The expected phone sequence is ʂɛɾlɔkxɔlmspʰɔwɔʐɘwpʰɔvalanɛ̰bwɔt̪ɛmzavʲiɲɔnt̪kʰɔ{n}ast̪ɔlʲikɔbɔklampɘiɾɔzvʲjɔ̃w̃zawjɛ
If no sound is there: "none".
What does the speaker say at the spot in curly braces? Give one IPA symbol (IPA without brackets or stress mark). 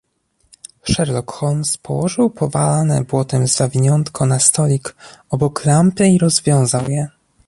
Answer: n